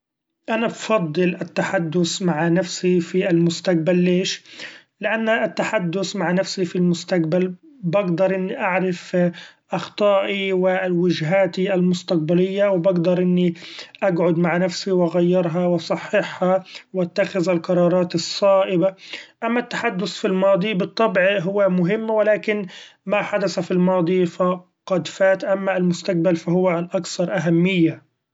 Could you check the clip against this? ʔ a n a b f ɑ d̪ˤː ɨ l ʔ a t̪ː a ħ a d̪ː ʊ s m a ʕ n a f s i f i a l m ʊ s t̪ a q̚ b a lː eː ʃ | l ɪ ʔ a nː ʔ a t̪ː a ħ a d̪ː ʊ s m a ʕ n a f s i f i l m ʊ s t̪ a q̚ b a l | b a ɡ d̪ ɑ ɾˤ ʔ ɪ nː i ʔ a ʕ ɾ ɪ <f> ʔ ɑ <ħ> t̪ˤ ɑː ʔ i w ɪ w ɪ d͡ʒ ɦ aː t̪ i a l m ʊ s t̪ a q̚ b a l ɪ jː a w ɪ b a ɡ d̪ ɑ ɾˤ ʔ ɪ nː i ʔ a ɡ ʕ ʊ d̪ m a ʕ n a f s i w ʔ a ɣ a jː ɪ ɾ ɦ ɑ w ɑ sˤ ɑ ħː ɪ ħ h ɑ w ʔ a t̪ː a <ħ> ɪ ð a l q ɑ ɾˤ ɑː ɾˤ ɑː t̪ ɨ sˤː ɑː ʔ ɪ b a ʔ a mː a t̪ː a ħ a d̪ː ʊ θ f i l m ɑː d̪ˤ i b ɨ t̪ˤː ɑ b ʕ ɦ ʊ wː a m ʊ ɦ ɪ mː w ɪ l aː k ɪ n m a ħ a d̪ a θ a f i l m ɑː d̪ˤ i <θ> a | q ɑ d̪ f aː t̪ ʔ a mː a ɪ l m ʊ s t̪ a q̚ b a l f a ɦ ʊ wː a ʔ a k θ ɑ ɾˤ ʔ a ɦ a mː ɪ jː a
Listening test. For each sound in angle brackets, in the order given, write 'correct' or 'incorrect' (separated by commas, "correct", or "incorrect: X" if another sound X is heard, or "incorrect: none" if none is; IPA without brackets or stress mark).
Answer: correct, incorrect: x, incorrect: x, incorrect: f